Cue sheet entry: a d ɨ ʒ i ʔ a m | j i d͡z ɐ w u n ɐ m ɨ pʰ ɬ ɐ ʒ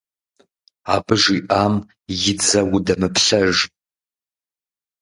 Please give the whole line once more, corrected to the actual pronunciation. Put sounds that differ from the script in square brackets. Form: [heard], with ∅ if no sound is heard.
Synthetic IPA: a [b] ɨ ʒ i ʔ a m | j [ɪ] d͡z ɐ w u [d] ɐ m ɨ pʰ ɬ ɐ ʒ